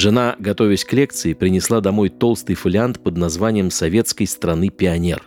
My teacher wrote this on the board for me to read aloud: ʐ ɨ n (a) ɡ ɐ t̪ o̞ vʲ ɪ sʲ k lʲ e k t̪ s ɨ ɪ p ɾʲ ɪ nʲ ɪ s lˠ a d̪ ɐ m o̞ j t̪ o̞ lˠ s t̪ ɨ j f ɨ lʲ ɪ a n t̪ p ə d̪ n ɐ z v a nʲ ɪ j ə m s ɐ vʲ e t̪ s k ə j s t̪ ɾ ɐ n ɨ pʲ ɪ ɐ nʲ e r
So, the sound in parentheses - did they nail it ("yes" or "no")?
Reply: yes